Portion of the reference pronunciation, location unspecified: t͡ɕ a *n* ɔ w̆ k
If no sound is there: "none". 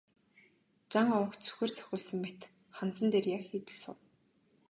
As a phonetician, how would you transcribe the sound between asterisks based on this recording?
ŋ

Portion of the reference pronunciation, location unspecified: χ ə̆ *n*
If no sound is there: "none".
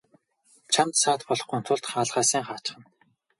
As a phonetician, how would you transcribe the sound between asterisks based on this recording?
n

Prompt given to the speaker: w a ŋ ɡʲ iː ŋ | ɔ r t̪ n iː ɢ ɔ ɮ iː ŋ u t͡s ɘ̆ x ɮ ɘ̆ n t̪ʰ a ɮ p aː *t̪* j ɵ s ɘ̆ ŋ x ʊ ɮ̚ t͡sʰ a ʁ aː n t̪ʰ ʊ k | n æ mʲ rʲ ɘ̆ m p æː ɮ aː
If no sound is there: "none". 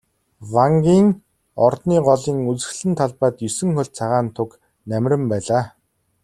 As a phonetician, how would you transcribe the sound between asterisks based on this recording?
t̪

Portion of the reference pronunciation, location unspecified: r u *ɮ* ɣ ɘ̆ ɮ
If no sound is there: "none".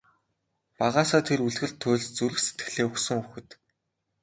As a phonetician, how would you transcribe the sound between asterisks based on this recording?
ɮ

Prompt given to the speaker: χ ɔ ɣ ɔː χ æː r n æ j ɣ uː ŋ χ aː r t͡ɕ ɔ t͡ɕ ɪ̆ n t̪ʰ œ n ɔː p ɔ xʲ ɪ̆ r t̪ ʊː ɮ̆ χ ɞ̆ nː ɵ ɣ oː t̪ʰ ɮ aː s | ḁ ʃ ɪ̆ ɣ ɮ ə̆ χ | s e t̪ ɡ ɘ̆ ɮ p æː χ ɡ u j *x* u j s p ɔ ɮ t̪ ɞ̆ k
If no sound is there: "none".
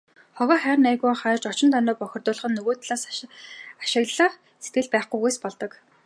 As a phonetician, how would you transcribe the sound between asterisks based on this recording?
ɣ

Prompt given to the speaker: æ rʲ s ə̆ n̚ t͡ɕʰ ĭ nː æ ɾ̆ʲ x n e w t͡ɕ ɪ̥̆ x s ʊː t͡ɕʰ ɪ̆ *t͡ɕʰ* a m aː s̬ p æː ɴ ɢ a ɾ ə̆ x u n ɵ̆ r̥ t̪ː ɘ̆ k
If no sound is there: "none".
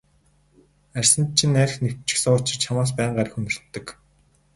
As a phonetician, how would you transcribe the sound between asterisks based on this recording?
t͡ɕʰ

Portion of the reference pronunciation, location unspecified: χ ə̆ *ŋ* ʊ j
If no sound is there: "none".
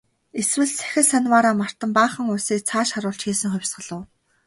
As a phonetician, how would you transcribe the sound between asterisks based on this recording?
ŋ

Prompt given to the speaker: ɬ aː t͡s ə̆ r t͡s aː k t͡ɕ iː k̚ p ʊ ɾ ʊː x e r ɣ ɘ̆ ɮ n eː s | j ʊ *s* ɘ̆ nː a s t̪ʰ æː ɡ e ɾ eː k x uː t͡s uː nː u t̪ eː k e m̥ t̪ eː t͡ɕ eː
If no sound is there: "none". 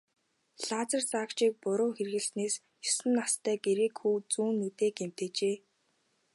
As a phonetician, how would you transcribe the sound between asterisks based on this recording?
s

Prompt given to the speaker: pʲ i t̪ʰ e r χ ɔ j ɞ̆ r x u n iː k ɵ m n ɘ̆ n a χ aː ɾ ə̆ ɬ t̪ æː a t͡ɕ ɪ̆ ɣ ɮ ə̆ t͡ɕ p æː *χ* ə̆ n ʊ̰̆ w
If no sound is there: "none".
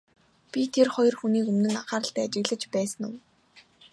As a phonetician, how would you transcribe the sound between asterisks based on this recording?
s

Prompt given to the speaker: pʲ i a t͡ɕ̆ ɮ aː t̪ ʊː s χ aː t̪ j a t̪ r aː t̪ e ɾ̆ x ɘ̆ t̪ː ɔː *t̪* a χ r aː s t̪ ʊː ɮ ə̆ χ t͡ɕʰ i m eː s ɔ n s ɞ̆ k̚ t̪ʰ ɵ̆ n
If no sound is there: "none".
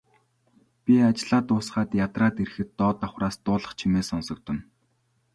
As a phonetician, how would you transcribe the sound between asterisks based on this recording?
t̪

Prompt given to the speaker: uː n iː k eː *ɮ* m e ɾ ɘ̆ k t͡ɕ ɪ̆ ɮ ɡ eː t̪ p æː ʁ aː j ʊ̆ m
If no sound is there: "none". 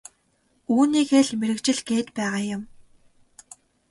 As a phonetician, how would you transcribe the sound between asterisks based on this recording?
ɮ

